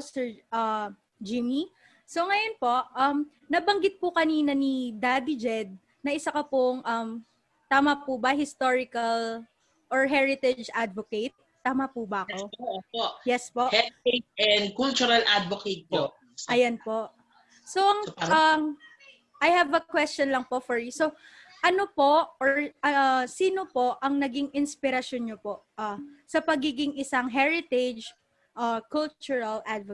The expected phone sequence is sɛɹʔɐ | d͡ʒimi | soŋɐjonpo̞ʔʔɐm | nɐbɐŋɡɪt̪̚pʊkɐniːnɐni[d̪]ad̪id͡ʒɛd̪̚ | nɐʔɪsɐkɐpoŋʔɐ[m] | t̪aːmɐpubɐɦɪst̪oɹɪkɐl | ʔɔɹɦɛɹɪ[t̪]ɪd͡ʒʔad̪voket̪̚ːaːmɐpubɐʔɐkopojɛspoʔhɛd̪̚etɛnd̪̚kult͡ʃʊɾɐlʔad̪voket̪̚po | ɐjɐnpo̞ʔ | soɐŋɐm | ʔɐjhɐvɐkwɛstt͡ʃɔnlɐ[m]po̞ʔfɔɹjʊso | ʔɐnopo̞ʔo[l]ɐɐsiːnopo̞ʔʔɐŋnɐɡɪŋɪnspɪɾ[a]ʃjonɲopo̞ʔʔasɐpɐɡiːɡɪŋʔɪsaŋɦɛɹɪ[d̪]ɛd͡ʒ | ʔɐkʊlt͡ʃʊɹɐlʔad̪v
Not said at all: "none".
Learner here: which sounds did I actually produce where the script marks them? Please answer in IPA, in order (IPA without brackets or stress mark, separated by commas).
d̪, m, t̪, ŋ, ɹ, ɐ, t̪